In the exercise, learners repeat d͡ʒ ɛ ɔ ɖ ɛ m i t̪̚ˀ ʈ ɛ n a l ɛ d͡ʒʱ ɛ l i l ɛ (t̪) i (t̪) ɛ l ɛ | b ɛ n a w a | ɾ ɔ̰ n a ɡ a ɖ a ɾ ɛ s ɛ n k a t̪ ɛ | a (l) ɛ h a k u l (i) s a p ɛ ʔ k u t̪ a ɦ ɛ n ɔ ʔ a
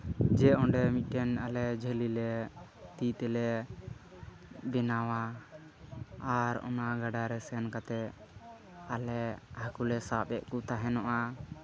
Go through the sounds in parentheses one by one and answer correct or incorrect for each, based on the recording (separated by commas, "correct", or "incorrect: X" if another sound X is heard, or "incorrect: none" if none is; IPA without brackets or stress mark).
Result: correct, correct, correct, incorrect: ɛ